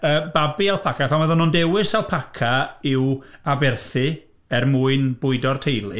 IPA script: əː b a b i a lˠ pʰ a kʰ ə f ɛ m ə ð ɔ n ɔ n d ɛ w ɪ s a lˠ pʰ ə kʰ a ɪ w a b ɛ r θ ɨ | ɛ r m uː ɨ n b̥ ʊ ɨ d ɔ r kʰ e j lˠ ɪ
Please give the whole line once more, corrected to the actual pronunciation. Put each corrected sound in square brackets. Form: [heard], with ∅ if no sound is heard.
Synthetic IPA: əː b a b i a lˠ pʰ a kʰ [a] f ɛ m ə ð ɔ n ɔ n d ɛ w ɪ s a lˠ pʰ [a] kʰ a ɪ w a b ɛ r θ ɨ | ɛ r m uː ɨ n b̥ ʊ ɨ d ɔ r [tʰ] e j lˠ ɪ